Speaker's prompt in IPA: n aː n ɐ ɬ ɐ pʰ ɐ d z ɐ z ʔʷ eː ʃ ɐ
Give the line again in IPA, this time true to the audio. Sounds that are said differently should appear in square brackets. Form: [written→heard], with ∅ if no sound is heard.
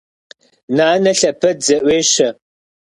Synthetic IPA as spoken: n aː n ɐ ɬ ɐ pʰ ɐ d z ɐ [z→∅] ʔʷ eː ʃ ɐ

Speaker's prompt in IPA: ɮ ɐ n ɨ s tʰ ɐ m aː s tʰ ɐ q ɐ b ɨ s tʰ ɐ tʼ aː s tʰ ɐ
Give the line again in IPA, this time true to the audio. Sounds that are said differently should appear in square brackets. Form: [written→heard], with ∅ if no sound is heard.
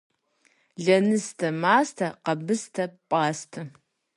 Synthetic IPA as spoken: ɮ ɐ n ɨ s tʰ ɐ m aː s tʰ ɐ q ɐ b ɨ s tʰ ɐ [tʼ→pʼ] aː s tʰ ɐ

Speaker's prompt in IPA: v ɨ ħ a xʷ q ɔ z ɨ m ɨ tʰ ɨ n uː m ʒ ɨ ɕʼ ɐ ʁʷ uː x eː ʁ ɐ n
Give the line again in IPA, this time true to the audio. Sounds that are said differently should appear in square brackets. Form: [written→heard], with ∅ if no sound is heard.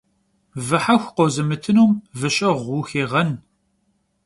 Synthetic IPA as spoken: v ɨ ħ a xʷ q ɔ z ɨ m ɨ tʰ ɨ n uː m [ʒ→v] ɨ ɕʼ ɐ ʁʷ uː x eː ʁ ɐ n

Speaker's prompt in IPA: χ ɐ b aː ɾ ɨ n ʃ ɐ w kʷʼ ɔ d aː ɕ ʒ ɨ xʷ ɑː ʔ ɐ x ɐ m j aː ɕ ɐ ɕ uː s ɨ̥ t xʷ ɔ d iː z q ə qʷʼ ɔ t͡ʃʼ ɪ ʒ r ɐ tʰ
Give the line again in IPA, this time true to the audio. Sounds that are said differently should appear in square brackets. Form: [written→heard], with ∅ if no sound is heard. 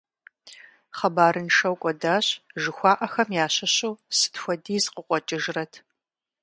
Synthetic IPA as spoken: χ ɐ b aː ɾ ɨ n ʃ ɐ w kʷʼ ɔ d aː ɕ ʒ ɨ xʷ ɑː ʔ ɐ x ɐ m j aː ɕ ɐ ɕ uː s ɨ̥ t xʷ ɔ d iː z q ə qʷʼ ɔ t͡ʃʼ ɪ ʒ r ɐ tʰ

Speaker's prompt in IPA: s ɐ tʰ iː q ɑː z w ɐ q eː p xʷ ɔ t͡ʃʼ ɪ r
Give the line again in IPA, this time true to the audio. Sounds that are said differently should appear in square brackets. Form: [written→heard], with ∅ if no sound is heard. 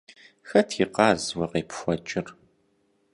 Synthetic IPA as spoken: [s→x] ɐ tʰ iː q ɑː z w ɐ q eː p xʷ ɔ t͡ʃʼ ɪ r

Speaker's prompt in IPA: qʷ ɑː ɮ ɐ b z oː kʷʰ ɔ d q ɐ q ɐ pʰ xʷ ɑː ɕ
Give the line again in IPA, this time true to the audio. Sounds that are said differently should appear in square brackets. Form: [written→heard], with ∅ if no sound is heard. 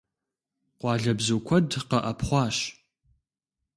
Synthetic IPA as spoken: qʷ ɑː ɮ ɐ b z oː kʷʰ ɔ d q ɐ [q→ʔ] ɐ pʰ [xʷ→χʷ] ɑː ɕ

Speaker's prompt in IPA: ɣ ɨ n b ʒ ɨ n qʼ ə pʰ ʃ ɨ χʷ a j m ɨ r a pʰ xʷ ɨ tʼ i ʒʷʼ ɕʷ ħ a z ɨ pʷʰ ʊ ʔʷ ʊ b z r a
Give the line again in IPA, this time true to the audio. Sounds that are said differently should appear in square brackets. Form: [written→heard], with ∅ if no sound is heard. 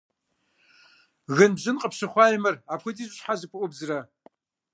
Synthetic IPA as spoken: ɣ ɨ n b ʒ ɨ n qʼ ə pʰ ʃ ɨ χʷ a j m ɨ r a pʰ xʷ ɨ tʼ i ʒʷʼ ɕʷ ħ a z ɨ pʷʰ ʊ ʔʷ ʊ b z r a

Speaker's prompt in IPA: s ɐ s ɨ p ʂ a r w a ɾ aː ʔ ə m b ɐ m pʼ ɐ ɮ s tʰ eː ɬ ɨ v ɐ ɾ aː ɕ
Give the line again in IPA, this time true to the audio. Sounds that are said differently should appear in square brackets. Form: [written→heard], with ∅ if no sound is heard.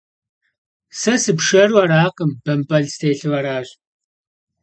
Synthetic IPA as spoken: s ɐ s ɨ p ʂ [a→ɐ] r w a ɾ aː [ʔ→q] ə m b ɐ m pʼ ɐ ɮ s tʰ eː ɬ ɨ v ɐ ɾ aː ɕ

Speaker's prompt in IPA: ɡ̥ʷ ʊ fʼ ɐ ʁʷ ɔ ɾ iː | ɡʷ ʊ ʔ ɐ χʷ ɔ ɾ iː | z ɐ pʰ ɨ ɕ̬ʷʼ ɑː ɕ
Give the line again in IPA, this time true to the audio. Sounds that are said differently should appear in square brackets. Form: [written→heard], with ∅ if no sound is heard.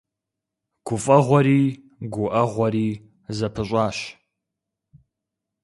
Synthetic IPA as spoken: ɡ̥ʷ ʊ fʼ ɐ ʁʷ ɔ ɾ iː | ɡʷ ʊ ʔ ɐ [χʷ→ʁʷ] ɔ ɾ iː | z ɐ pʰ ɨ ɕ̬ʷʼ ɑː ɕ

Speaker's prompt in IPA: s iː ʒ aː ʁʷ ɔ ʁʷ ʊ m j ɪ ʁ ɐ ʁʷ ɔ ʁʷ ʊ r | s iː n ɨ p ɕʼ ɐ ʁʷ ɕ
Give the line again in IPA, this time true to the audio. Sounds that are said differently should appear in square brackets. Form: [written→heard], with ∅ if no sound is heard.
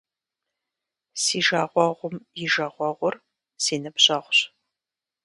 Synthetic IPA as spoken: s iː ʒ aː ʁʷ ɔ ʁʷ ʊ m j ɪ [ʁ→ʒ] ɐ ʁʷ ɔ ʁʷ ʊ r | s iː n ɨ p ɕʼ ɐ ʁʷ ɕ

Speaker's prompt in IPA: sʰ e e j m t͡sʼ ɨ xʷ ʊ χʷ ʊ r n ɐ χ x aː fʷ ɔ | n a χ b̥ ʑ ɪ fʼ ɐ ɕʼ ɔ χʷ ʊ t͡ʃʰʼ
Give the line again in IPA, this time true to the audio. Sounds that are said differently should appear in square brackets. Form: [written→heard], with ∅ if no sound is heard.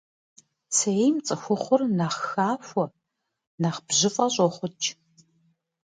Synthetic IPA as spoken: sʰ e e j m t͡sʼ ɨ xʷ ʊ χʷ ʊ r n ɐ χ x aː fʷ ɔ | n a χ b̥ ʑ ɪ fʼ ɐ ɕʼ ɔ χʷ ʊ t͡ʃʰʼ

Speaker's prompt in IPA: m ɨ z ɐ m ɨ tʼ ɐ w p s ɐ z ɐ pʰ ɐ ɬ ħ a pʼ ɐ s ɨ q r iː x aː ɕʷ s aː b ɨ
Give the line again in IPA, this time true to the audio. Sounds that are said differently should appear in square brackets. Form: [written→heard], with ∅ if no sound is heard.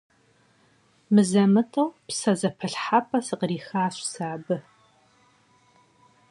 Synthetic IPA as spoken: m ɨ z ɐ m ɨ tʼ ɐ w p s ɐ z ɐ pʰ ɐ ɬ ħ a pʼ ɐ s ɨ q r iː x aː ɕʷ s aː b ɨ

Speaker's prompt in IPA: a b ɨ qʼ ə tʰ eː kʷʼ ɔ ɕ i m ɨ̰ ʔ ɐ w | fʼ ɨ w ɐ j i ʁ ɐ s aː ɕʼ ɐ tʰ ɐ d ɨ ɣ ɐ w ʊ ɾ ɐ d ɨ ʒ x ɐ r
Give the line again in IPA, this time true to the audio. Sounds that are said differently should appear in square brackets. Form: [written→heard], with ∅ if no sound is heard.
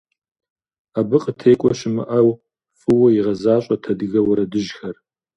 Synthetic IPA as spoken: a b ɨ qʼ ə tʰ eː kʷʼ ɔ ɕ [i→ɪ] m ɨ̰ ʔ ɐ w | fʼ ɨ w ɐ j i ʁ ɐ [s→z] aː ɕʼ ɐ tʰ ɐ d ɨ ɣ ɐ w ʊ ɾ ɐ d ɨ ʒ x ɐ r

